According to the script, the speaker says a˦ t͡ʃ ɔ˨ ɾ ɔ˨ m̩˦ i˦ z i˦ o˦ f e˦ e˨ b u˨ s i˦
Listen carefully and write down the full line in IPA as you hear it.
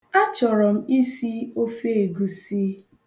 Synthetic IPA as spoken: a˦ t͡ʃ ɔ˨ ɾ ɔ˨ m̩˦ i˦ s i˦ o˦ f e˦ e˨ ɡ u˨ s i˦